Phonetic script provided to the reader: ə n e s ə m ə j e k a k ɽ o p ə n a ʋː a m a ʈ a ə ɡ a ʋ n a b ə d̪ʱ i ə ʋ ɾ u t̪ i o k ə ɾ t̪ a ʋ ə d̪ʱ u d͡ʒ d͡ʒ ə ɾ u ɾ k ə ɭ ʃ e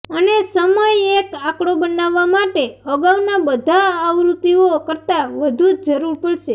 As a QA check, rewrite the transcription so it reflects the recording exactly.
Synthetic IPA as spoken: ə n e s ə m ə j e k a k ɽ o b ə n a ʋː a m a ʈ e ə ɡ a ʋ n a b ə d̪ʱ a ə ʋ ɾ u t̪ i o k ə ɾ t̪ a ʋ ə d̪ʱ u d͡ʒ d͡ʒ ə ɾ u ɾ p ə ɭ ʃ e